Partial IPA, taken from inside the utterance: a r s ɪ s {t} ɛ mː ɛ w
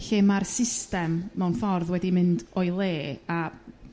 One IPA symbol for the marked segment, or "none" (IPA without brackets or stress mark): t